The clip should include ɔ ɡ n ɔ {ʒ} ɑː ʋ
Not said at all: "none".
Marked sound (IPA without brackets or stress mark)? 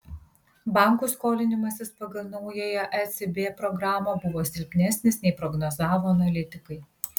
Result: z